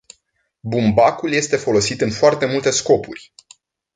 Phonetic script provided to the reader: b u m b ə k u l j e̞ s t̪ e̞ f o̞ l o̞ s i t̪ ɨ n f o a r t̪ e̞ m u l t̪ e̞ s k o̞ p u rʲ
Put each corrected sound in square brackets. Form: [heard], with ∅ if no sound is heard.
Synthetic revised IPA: b u m b [a] k u l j e̞ s t̪ e̞ f o̞ l o̞ s i t̪ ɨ n f o a r t̪ e̞ m u l t̪ e̞ s k o̞ p u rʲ

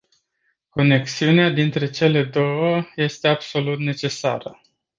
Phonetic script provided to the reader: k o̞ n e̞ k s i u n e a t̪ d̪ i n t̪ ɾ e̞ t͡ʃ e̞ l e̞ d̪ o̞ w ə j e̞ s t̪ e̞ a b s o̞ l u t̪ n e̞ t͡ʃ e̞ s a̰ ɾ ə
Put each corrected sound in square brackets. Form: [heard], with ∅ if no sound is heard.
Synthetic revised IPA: k o̞ n e̞ k s i u n e a [∅] d̪ i n t̪ ɾ e̞ t͡ʃ e̞ l e̞ d̪ o̞ w ə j e̞ s t̪ e̞ a b s o̞ l u t̪ n e̞ t͡ʃ e̞ s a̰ ɾ ə

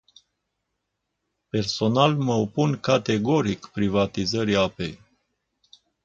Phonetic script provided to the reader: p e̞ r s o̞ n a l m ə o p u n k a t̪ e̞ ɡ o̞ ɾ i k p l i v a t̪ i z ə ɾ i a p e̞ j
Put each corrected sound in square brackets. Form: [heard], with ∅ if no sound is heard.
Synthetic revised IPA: p e̞ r s o̞ n a l m ə o p u n k a t̪ e̞ ɡ o̞ ɾ i k p [ɾ] i v a t̪ i z ə ɾ i a p e̞ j

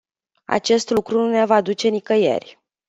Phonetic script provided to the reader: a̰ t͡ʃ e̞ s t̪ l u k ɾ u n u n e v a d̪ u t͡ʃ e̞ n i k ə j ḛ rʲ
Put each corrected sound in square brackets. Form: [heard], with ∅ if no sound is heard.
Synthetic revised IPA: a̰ t͡ʃ e̞ s t̪ l u k ɾ u n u n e v a d̪ u t͡ʃ e̞ n i k ə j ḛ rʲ

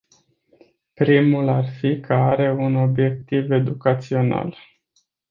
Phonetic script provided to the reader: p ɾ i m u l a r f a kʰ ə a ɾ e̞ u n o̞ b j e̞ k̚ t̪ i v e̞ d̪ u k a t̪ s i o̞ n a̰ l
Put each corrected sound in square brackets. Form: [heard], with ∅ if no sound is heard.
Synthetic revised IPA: p ɾ i m u l a r f [i] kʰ ə a ɾ e̞ u n o̞ b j e̞ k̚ t̪ i v e̞ d̪ u k a t̪ s i o̞ n a̰ l

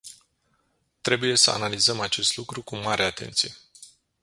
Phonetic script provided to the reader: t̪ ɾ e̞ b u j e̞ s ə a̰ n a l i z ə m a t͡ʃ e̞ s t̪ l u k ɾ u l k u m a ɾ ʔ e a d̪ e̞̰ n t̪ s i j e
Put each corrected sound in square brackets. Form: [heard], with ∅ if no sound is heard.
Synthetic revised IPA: t̪ ɾ e̞ b u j e̞ s ə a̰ n a l i z ə m a t͡ʃ e̞ s t̪ l u k ɾ u [∅] k u m a ɾ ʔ e a [t̪] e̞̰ n t̪ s i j e

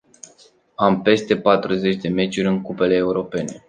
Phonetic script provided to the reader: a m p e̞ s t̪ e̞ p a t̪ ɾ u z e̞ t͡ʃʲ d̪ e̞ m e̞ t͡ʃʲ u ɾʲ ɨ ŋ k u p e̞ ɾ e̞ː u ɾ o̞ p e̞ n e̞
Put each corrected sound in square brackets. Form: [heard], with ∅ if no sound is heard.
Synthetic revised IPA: a m p e̞ s t̪ e̞ p a t̪ ɾ u z e̞ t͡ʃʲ d̪ e̞ m e̞ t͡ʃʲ u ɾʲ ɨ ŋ k u p e̞ [l] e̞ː u ɾ o̞ p e̞ n e̞

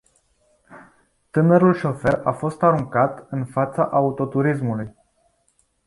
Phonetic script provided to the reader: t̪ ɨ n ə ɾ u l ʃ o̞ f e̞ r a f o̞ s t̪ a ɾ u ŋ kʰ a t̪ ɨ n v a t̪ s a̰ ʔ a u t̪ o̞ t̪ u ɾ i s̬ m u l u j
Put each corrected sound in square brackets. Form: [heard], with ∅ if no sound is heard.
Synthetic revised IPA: t̪ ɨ n ə ɾ u l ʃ o̞ f e̞ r a f o̞ s t̪ a ɾ u ŋ [k] a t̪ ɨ n [f] a t̪ s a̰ ʔ a u t̪ o̞ t̪ u ɾ i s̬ m u l u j

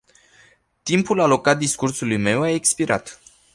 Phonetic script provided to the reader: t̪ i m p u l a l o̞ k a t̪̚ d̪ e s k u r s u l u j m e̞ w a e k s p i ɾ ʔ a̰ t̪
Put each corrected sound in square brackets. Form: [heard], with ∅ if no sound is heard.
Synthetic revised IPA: t̪ i m p u l a l o̞ k a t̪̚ d̪ [i] s k u r s u l u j m e̞ w a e k s p i ɾ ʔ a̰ t̪

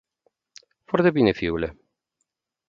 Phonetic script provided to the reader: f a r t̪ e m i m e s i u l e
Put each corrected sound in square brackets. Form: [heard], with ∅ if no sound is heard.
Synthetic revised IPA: f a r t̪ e [b] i [n] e [f] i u l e

